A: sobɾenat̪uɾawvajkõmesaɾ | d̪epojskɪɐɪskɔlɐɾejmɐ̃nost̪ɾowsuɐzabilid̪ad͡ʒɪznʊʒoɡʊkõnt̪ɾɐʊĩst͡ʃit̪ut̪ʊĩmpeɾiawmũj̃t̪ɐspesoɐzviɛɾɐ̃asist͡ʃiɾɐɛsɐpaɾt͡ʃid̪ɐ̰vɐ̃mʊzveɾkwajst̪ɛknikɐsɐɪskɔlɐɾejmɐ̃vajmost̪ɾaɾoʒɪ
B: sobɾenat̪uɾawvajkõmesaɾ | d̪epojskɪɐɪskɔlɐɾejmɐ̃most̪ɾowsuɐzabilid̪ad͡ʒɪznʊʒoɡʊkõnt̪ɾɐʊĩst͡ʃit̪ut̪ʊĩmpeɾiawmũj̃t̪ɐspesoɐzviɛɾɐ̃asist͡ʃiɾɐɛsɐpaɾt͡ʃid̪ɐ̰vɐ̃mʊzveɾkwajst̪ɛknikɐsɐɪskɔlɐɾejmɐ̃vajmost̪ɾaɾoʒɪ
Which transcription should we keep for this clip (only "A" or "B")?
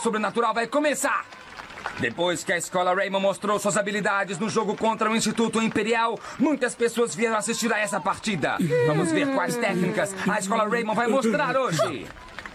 B